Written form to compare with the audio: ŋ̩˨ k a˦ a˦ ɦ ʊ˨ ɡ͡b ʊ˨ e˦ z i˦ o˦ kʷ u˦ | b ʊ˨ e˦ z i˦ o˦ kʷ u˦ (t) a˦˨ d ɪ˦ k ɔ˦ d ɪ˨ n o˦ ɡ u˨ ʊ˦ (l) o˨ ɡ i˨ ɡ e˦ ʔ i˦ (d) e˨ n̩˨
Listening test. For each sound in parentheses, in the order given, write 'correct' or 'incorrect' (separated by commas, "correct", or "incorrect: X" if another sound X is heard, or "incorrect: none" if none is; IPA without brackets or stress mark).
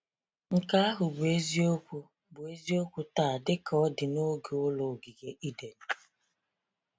correct, correct, correct